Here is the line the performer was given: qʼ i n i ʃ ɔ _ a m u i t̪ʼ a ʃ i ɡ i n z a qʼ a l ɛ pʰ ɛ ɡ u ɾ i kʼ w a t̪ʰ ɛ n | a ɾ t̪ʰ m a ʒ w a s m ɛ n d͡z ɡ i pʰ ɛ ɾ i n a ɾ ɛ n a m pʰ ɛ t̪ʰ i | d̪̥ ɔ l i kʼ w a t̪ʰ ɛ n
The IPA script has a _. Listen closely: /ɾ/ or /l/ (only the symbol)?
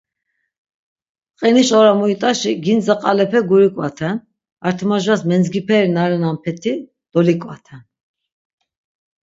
ɾ